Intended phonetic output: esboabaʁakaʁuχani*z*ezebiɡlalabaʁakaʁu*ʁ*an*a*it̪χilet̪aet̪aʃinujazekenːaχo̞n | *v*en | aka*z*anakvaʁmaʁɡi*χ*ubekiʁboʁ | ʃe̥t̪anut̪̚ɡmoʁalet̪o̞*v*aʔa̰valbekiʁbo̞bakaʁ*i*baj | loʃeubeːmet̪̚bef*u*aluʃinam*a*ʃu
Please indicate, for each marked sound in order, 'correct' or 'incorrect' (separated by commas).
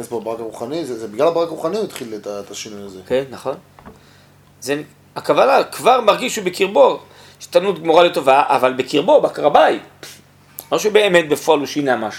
correct, incorrect, incorrect, incorrect, incorrect, incorrect, correct, incorrect, incorrect, correct